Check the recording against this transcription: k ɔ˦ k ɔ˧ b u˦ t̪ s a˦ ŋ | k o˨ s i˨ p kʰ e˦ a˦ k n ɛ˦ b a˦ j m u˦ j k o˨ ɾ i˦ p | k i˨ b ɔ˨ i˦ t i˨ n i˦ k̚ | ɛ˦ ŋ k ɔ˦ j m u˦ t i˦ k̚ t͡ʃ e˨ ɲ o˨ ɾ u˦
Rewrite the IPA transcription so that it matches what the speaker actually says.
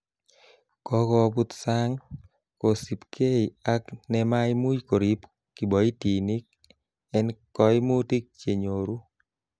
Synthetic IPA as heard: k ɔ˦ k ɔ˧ b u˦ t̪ s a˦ ŋ | k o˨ s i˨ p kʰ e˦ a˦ k n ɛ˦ m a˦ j m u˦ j k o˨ ɾ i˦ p | k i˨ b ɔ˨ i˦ t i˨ n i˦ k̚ | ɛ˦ n k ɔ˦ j m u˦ t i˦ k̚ t͡ʃ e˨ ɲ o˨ ɾ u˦